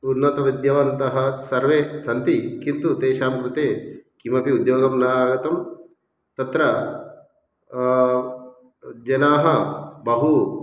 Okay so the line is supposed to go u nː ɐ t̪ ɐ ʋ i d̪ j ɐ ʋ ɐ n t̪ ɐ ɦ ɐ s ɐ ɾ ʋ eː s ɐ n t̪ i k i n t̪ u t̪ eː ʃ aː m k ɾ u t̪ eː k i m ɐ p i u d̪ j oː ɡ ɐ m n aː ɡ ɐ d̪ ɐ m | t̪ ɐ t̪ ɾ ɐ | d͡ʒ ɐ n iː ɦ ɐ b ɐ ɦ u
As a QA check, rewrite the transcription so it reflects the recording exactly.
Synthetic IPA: u nː ɐ t̪ ɐ ʋ i d̪ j ɐ ʋ ɐ n t̪ ɐ ɦ ɐ s ɐ ɾ ʋ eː s ɐ n t̪ i k i n t̪ u t̪ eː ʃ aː m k ɾ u t̪ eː k i m ɐ p i u d̪ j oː ɡ ɐ m n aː ɡ ɐ t̪ ɐ m | t̪ ɐ t̪ ɾ ɐ | d͡ʒ ɐ n aː ɦ ɐ b ɐ ɦ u

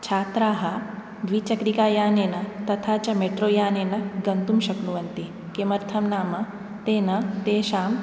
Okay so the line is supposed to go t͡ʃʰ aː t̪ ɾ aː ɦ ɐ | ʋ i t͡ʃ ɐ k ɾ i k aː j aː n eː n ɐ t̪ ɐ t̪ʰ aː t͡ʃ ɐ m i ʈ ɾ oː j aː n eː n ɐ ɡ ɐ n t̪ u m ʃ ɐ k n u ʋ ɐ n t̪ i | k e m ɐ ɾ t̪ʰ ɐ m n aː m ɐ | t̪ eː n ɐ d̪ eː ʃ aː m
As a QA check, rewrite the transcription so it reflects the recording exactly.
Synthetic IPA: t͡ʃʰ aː t̪ ɾ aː ɦ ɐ | ʋ i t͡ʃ ɐ k ɾ i k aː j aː n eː n ɐ t̪ ɐ t̪ʰ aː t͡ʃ ɐ m e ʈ ɾ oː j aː n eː n ɐ ɡ ɐ n t̪ u m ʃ ɐ k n u ʋ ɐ n t̪ i | k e m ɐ ɾ t̪ʰ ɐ m n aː m ɐ | t̪ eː n ɐ t̪ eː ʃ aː m

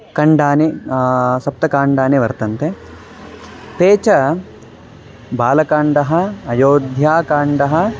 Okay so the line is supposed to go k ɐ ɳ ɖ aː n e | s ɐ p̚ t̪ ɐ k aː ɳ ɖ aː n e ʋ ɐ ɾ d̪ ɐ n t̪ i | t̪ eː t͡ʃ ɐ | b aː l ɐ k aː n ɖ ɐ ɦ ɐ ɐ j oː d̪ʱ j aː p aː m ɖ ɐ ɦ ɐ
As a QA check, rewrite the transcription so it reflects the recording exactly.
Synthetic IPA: k ɐ ɳ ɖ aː n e | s ɐ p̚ t̪ ɐ k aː ɳ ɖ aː n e ʋ ɐ ɾ t̪ ɐ n t̪ e | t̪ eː t͡ʃ ɐ | b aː l ɐ k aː ɳ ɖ ɐ ɦ ɐ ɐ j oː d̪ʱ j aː k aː ɳ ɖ ɐ ɦ ɐ

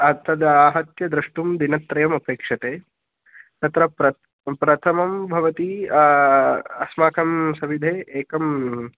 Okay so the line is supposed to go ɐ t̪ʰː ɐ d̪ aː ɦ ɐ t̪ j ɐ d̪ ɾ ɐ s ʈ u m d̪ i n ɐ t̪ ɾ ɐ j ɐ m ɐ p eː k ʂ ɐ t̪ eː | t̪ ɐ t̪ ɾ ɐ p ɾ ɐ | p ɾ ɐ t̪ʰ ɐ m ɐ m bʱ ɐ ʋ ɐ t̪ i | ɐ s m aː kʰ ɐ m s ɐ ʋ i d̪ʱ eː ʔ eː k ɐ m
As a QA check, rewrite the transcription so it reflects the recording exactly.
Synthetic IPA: ɐ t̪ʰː ɐ d̪ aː ɦ ɐ t̪ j ɐ d̪ ɾ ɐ ʂ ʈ u m d̪ i n ɐ t̪ ɾ ɐ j ɐ m ɐ p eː k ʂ ɐ t̪ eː | t̪ ɐ t̪ ɾ ɐ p ɾ ɐ | p ɾ ɐ t̪ʰ ɐ m ɐ m bʱ ɐ ʋ ɐ t̪ i | ɐ s m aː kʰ ɐ m s ɐ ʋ i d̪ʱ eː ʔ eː k ɐ m

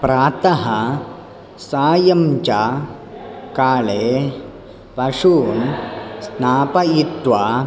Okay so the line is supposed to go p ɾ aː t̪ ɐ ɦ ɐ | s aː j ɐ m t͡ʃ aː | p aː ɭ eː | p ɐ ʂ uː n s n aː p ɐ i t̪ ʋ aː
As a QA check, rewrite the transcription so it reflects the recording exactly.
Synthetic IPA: p ɾ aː t̪ ɐ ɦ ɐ | s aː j ɐ m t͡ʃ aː | k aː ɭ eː | p ɐ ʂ uː n s n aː p ɐ i t̪ ʋ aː

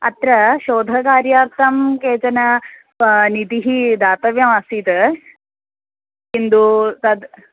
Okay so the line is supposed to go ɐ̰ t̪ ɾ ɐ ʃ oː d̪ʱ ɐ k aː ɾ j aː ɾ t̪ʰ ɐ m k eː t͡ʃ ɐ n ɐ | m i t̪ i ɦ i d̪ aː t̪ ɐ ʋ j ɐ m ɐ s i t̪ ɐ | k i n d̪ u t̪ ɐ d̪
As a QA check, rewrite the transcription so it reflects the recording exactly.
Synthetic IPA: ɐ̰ t̪ ɾ ɐ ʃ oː d̪ʱ ɐ k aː ɾ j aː ɾ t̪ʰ ɐ m k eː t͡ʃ ɐ n ɐ | n i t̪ i ɦ i d̪ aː t̪ ɐ ʋ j ɐ m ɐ s i t̪ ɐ | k i n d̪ u t̪ ɐ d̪

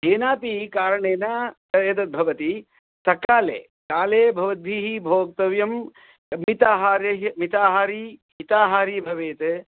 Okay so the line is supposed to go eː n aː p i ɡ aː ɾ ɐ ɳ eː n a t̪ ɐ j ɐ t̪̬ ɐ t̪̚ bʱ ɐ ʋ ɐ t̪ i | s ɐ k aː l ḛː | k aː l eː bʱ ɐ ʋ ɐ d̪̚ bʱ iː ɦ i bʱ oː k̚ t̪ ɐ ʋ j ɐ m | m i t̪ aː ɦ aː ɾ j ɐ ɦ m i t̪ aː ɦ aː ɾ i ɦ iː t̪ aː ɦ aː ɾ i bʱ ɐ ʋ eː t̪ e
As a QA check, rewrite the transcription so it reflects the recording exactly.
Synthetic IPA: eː n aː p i k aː ɾ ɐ ɳ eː n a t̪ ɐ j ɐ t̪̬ ɐ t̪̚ bʱ ɐ ʋ ɐ t̪ i | s ɐ k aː l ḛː | k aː l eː bʱ ɐ ʋ ɐ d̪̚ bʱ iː ɦ i bʱ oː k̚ t̪ ɐ ʋ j ɐ m | m i t̪ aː ɦ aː ɾ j ɐ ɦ m i t̪ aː ɦ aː ɾ i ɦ i t̪ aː ɦ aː ɾ i bʱ ɐ ʋ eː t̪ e

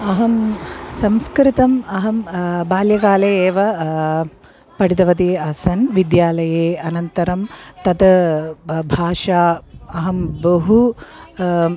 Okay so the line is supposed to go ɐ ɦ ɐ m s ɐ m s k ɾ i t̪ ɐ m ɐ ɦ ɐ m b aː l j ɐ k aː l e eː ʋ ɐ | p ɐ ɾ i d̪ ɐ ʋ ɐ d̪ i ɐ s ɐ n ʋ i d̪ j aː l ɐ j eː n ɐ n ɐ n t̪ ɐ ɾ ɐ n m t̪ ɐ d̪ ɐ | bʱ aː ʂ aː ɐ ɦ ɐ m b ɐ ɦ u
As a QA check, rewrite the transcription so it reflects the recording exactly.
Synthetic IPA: ɐ ɦ ɐ m s ɐ m s k ɾ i t̪ ɐ m ɐ ɦ ɐ m b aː l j ɐ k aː l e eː ʋ ɐ | p ɐ ɽ i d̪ ɐ ʋ ɐ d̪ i ɐ s ɐ n ʋ i d̪ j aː l ɐ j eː ɐ n ɐ n t̪ ɐ ɾ ɐ m t̪ ɐ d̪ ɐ | bʱ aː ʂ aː ɐ ɦ ɐ m b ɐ ɦ u

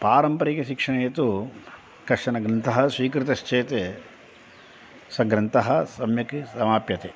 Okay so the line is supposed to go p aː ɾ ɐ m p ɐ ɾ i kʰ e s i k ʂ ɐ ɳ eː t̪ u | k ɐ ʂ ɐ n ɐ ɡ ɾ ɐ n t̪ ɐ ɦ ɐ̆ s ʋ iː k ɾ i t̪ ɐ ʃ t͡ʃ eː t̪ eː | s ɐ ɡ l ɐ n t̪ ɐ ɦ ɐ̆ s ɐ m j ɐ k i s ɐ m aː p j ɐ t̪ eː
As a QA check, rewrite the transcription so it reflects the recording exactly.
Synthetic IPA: p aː ɾ ɐ m p ɐ ɾ i k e ʃ i k ʂ ɐ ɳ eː t̪ u | k ɐ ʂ ɐ n ɐ ɡ ɾ ɐ n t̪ ɐ ɦ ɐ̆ s ʋ iː k ɾ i t̪ ɐ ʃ t͡ʃ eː t̪ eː | s ɐ ɡ ɾ ɐ n t̪ ɐ ɦ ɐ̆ s ɐ m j ɐ k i s ɐ m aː p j ɐ t̪ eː

